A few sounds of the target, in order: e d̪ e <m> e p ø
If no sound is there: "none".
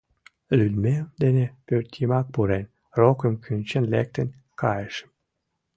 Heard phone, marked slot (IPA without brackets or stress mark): n